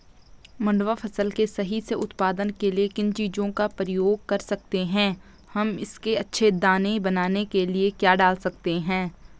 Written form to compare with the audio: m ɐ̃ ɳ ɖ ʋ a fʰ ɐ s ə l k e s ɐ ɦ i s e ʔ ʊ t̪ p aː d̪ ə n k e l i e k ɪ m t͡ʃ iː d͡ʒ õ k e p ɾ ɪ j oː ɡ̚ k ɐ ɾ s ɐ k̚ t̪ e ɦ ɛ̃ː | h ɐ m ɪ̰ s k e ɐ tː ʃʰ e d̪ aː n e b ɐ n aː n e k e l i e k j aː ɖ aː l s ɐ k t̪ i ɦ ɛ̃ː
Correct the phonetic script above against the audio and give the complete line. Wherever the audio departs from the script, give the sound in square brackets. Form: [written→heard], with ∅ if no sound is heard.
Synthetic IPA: m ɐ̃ ɳ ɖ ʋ a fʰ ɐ s ə l k e s ɐ ɦ i s e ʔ ʊ t̪ p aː d̪ ə n k e l i e k ɪ [m→n] t͡ʃ iː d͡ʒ õ k [e→a] p ɾ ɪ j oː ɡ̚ k ɐ ɾ s ɐ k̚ t̪ e ɦ ɛ̃ː | h ɐ m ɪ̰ s k e ɐ tː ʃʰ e d̪ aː n e b ɐ n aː n e k e l i e k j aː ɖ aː l s ɐ k t̪ [i→e] ɦ ɛ̃ː